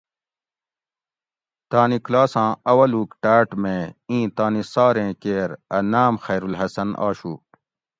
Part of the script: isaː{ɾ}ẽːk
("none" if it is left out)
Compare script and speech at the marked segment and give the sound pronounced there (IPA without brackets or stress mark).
ɾ